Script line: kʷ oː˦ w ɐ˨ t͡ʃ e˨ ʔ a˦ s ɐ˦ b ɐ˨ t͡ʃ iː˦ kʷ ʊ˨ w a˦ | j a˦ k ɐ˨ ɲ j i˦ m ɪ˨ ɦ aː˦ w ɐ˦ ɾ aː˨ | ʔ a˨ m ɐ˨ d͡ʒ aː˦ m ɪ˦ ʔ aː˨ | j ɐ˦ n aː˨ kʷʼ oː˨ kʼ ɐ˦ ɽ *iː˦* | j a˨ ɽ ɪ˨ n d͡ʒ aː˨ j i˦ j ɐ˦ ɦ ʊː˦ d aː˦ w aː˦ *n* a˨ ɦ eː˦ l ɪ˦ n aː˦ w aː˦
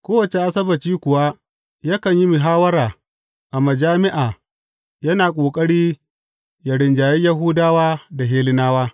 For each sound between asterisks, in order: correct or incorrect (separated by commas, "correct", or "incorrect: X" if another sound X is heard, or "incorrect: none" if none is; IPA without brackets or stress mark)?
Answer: correct, incorrect: d